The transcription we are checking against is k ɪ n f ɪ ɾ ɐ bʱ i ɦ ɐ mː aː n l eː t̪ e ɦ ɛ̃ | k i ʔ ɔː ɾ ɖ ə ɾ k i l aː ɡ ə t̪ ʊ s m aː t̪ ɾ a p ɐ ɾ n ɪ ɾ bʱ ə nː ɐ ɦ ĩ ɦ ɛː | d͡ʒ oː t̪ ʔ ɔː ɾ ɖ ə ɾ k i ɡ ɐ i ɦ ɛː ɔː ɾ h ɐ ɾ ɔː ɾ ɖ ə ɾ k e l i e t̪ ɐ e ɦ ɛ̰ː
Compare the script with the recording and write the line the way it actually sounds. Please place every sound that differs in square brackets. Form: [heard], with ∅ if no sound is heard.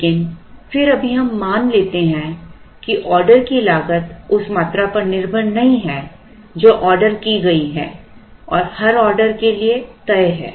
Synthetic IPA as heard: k ɪ n f ɪ ɾ ɐ bʱ i ɦ ɐ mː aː n l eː t̪ e ɦ ɛ̃ | k i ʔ ɔː ɾ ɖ ə ɾ k i l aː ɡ ə t̪ ʊ s m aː t̪ ɾ a p ɐ ɾ n ɪ ɾ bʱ ə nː ɐ ɦ ĩ ɦ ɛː | d͡ʒ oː [∅] ʔ ɔː ɾ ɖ ə ɾ k i ɡ ɐ i ɦ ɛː ɔː ɾ h ɐ ɾ ɔː ɾ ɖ ə ɾ k e l i e t̪ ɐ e ɦ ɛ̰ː